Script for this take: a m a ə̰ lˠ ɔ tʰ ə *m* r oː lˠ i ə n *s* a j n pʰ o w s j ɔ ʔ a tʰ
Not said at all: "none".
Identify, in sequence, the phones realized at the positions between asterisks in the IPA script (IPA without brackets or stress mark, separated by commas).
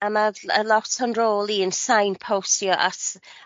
n, s